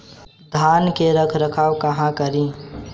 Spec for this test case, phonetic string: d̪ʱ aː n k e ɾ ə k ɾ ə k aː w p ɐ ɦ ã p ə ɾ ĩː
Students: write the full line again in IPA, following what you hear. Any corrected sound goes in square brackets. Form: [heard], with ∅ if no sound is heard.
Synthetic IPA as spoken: d̪ʱ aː n k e ɾ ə [kʰ] ɾ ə [kʰ] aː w [k] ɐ ɦ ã [k] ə ɾ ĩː